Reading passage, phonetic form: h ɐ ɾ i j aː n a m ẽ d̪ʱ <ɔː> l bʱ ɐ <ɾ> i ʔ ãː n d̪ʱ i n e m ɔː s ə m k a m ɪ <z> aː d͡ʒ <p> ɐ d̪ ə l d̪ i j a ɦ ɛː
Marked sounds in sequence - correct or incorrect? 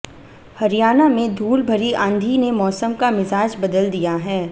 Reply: incorrect: uː, correct, correct, incorrect: b

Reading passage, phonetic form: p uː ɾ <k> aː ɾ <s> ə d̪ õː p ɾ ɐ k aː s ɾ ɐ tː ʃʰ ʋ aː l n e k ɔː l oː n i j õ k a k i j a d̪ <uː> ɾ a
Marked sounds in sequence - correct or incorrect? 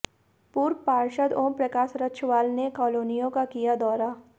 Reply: incorrect: p, incorrect: ʃ, incorrect: ɔː

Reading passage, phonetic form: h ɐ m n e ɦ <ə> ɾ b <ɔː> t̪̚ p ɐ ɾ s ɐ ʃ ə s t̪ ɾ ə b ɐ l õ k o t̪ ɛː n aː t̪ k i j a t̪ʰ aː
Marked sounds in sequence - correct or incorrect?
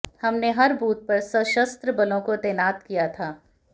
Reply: incorrect: ɐ, incorrect: uː

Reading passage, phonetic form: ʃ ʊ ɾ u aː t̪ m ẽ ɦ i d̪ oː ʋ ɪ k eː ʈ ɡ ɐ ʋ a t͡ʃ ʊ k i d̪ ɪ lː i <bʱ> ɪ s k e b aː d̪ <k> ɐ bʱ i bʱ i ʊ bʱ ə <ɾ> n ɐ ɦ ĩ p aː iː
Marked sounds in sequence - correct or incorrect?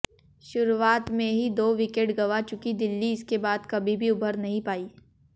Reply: incorrect: none, correct, correct

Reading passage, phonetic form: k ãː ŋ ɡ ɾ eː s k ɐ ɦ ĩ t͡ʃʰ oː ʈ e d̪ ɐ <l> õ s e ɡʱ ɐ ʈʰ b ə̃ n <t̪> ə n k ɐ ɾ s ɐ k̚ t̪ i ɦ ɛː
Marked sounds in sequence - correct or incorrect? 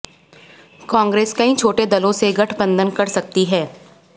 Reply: correct, incorrect: d̪

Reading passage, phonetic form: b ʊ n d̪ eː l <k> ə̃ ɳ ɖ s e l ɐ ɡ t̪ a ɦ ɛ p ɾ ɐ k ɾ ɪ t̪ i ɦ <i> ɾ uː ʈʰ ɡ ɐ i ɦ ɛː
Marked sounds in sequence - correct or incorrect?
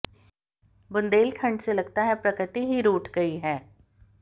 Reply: incorrect: kʰ, correct

